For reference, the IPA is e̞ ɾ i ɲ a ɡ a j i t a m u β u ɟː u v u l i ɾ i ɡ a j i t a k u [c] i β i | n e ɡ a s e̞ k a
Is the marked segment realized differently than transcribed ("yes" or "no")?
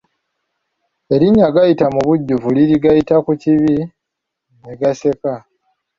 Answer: no